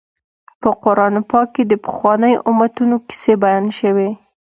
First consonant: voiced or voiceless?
voiceless